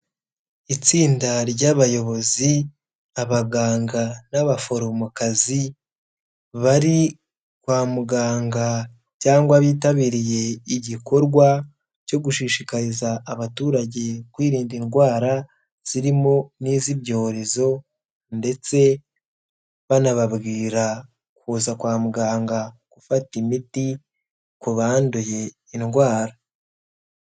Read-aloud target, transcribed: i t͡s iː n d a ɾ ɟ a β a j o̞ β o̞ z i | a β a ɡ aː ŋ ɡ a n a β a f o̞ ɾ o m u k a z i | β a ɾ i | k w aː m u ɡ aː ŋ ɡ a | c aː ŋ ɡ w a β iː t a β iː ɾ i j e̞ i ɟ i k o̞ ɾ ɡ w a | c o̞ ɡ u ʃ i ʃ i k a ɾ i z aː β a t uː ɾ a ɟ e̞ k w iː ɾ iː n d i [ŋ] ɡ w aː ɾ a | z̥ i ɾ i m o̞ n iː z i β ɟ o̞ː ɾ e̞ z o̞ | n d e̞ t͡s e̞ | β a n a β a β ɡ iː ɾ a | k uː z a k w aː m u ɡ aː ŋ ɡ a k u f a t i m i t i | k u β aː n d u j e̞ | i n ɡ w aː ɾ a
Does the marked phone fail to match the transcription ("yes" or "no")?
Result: yes